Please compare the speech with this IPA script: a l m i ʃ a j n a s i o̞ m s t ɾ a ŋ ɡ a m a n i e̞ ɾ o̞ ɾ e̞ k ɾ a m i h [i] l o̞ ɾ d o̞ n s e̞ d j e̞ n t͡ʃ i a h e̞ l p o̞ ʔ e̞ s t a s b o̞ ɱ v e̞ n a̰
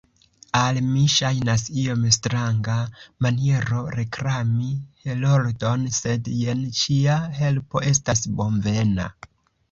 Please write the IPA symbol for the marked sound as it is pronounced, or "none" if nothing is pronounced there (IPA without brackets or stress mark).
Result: e